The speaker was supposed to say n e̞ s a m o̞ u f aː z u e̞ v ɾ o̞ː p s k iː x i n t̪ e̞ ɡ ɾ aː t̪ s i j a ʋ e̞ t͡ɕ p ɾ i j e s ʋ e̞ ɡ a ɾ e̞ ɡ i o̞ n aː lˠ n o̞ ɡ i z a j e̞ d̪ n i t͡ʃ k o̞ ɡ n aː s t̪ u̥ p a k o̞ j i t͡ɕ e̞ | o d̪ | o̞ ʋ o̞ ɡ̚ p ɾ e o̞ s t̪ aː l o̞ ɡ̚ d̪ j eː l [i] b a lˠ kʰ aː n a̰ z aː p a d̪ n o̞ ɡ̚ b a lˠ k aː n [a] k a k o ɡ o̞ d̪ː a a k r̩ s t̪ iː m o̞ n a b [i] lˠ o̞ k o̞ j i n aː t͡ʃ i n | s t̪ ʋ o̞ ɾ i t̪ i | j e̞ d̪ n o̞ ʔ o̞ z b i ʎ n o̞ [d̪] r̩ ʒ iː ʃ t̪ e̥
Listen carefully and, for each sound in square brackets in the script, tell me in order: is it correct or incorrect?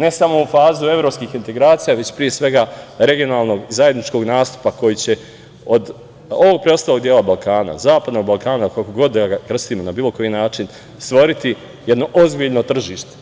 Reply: incorrect: a, correct, incorrect: iː, incorrect: t̪

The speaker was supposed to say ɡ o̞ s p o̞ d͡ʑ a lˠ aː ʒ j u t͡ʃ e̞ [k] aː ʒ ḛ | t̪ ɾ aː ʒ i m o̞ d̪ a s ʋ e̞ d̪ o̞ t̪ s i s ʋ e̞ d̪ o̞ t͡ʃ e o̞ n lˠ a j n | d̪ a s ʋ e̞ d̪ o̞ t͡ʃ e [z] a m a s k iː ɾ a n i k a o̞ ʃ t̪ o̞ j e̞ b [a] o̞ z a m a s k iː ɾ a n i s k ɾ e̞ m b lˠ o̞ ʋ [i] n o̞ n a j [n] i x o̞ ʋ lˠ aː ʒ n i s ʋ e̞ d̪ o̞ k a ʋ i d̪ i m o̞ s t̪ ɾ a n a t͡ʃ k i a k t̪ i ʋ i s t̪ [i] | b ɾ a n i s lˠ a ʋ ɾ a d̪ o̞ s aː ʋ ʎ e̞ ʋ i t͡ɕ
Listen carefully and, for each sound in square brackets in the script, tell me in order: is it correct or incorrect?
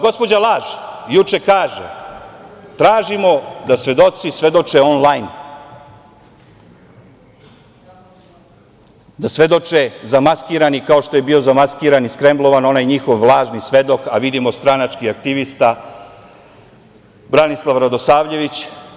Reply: correct, correct, incorrect: i, incorrect: a, incorrect: ɲ, incorrect: a

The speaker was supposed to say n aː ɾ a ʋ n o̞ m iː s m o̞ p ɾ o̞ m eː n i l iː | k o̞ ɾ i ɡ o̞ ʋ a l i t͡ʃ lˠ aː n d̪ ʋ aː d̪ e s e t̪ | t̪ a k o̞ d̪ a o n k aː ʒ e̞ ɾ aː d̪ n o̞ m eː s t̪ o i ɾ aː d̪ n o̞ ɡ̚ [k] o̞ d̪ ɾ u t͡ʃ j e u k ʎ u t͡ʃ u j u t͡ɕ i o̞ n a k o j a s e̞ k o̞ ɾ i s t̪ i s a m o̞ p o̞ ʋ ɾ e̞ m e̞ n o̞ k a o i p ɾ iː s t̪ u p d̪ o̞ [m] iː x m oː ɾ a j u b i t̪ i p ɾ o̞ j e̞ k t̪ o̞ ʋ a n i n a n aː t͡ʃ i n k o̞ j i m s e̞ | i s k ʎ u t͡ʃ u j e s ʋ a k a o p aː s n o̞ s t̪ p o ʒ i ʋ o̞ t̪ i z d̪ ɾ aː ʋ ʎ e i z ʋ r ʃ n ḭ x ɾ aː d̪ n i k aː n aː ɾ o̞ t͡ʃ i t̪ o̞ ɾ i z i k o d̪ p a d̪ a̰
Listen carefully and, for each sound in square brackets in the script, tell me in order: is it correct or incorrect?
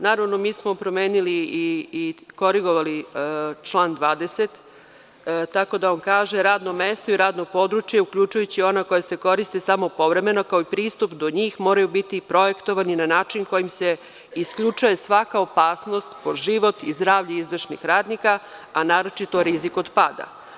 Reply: incorrect: p, incorrect: ɲ

